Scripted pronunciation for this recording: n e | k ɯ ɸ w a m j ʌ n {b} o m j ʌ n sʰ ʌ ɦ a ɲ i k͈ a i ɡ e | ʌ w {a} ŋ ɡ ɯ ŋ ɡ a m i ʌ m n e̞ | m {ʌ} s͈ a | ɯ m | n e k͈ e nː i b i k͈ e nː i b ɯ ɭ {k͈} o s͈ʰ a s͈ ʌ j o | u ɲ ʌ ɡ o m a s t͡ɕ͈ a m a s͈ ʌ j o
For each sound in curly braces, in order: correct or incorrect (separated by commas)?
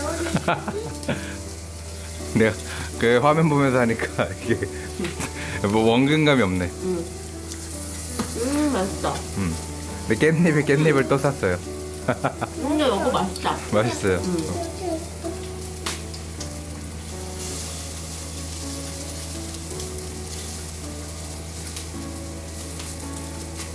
correct, incorrect, incorrect, incorrect